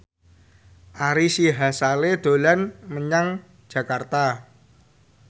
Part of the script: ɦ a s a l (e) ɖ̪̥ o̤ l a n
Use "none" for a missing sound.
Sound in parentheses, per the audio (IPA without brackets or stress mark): e